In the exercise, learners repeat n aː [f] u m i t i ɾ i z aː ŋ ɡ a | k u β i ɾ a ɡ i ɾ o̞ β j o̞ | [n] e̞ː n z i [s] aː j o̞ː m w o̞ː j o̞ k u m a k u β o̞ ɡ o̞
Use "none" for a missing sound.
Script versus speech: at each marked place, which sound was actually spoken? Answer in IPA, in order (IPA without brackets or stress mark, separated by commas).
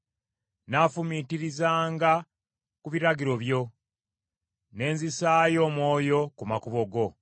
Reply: f, n, s